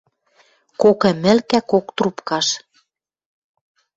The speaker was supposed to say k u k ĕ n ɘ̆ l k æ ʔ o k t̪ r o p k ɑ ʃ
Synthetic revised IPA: k o k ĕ m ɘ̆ l k æ k o k t̪ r u p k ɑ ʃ